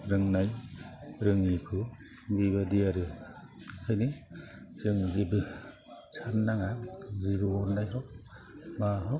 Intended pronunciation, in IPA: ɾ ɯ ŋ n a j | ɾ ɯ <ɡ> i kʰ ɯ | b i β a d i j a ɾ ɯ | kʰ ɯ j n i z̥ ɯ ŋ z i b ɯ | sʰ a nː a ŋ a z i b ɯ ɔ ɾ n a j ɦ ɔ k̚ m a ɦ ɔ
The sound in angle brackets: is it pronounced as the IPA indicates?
no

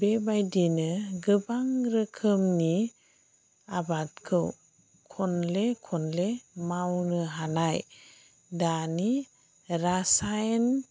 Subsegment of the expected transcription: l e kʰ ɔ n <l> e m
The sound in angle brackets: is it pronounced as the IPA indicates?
yes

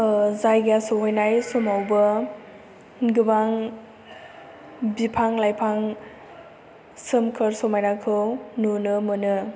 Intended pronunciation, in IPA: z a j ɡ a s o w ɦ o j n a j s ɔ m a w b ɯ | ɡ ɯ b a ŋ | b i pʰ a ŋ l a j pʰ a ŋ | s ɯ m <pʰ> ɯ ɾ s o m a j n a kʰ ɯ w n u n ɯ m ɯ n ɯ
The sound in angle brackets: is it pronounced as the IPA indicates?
no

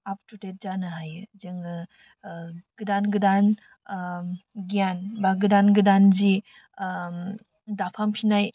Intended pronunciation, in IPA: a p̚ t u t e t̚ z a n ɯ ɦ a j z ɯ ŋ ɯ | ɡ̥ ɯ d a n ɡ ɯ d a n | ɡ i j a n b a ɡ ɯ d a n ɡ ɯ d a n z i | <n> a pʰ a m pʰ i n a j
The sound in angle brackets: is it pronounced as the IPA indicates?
no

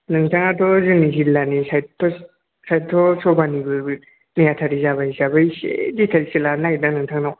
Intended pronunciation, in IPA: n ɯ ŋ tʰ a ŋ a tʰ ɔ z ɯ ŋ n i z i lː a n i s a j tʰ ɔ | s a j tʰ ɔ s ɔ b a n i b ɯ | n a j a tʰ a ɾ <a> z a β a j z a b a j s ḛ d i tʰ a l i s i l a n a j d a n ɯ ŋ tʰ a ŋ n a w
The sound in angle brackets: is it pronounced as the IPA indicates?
no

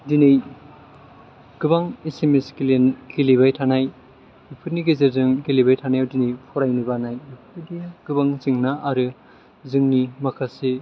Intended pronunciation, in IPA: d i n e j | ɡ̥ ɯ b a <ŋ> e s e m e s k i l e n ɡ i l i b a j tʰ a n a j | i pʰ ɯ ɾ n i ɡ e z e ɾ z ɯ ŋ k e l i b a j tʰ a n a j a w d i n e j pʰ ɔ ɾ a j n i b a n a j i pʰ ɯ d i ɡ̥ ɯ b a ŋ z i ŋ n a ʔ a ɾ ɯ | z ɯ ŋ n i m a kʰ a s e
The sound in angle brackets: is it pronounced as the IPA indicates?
yes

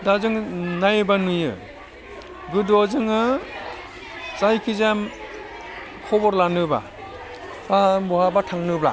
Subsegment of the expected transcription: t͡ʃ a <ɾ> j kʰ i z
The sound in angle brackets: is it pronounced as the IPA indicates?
no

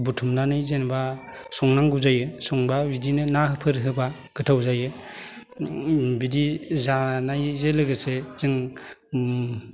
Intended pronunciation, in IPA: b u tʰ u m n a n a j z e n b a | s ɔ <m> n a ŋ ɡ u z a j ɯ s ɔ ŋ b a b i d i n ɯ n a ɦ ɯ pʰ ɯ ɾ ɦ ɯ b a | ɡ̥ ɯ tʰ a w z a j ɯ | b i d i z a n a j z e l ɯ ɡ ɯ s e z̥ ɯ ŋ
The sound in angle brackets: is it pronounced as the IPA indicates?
no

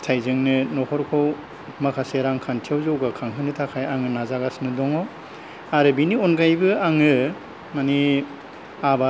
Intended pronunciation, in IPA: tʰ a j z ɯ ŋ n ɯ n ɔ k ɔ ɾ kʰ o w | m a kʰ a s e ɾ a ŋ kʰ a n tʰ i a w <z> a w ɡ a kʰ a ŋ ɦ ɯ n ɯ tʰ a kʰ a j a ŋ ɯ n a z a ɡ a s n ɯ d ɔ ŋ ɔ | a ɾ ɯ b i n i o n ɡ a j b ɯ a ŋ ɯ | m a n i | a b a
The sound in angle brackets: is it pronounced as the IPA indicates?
yes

